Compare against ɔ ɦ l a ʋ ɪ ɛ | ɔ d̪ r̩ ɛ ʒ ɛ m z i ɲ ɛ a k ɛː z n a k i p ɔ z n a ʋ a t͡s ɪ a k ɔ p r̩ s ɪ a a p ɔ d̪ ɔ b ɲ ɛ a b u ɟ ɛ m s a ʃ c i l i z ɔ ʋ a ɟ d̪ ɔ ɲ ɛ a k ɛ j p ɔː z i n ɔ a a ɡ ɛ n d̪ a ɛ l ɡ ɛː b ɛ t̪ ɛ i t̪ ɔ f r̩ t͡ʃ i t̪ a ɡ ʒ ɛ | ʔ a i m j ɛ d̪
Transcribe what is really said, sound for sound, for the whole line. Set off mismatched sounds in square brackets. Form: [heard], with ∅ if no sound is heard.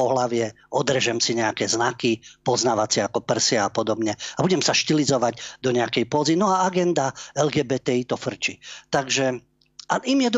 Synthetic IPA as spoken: ɔ ɦ l a ʋ ɪ ɛ | ɔ d̪ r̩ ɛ ʒ ɛ m [s] i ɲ ɛ a k [ɛ] z n a k i p ɔ z n a ʋ a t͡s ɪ a k ɔ p r̩ s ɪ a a p ɔ d̪ ɔ b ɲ ɛ a b u ɟ ɛ m s a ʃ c i l i z ɔ ʋ a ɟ d̪ ɔ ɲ ɛ a k ɛ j p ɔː z i n ɔ a a ɡ ɛ n d̪ a ɛ l ɡ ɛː b ɛ t̪ ɛ i t̪ ɔ f r̩ t͡ʃ i t̪ a ɡ ʒ ɛ | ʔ a i m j ɛ d̪